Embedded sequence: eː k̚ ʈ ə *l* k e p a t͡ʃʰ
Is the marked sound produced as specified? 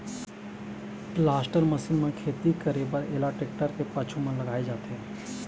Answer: no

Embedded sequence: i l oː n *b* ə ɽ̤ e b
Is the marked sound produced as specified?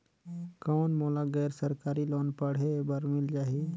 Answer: no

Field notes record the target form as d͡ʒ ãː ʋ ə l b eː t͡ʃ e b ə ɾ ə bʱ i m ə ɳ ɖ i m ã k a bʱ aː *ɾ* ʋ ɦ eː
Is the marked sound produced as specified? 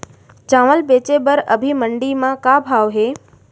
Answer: no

